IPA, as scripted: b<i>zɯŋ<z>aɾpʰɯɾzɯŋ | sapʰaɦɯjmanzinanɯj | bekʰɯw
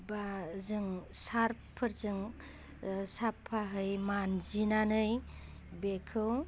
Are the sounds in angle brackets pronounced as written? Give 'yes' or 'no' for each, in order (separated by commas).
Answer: no, no